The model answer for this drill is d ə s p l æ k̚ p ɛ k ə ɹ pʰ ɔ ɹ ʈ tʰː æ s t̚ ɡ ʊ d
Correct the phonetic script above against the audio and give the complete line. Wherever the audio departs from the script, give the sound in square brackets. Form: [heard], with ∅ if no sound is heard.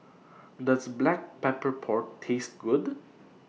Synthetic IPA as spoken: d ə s [b] l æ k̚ p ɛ [p] ə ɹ pʰ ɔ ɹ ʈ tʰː [e] s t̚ ɡ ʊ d